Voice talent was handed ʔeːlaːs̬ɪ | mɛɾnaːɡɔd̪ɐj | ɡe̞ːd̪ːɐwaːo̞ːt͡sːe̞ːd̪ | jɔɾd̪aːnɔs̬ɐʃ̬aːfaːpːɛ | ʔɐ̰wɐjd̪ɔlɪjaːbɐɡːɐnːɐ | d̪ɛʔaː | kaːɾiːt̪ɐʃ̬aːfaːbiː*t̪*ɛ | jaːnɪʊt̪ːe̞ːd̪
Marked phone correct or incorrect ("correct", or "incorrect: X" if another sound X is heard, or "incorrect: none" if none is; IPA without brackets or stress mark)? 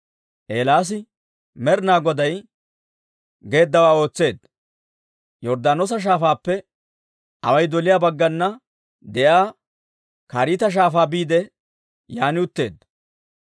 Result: incorrect: d̪